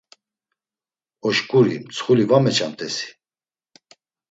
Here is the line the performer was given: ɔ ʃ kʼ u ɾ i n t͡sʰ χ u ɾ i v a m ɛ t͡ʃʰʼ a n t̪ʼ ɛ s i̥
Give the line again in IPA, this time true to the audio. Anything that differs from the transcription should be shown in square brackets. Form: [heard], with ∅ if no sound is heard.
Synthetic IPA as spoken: ɔ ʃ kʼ u ɾ i [m] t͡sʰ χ u [l] i v a m ɛ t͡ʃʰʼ a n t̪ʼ ɛ s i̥